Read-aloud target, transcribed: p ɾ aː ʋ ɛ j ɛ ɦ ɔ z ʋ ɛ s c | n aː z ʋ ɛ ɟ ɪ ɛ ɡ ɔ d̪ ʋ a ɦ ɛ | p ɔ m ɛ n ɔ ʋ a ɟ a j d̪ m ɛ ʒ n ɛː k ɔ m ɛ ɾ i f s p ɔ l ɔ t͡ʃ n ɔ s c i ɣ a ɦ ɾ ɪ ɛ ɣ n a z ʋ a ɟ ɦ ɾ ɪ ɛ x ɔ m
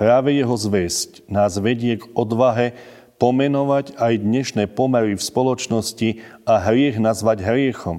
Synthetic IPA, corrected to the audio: p ɾ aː ʋ ɛ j ɛ ɦ ɔ z ʋ ɛ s c | n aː z ʋ ɛ ɟ ɪ ɛ ɡ ɔ d̪ ʋ a ɦ ɛ | p ɔ m ɛ n ɔ ʋ a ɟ a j d̪ ɲ ɛ ʃ n ɛː p ɔ m ɛ ɾ i f s p ɔ l ɔ t͡ʃ n ɔ s c i a ɦ ɾ ɪ ɛ ɣ n a z ʋ a ɟ ɦ ɾ ɪ ɛ x ɔ m